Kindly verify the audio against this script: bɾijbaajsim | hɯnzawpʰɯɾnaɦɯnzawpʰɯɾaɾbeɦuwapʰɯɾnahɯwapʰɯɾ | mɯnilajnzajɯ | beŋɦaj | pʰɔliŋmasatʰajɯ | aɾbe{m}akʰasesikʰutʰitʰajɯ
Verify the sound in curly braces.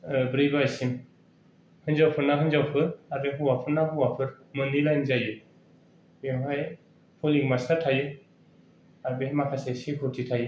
correct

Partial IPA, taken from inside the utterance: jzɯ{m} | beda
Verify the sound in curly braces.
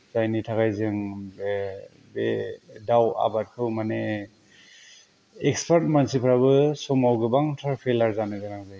incorrect: ŋ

